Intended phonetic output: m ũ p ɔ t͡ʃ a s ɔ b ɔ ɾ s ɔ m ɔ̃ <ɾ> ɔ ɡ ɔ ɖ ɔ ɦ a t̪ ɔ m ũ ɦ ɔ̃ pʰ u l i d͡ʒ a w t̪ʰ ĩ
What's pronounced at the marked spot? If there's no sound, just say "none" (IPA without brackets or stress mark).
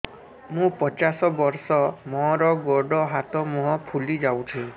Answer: ɾ